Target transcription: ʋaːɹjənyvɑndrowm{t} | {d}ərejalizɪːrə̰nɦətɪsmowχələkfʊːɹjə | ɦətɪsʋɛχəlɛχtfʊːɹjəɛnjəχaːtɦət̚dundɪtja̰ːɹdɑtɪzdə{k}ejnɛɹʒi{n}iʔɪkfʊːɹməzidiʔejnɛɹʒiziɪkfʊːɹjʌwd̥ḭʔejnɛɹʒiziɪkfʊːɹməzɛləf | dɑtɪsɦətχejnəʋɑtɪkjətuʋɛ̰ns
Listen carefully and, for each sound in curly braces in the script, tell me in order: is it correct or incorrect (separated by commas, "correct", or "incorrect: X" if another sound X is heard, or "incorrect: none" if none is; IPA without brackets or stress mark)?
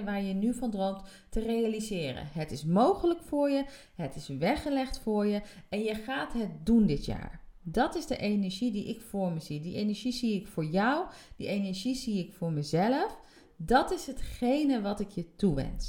correct, incorrect: t, incorrect: ʔ, incorrect: d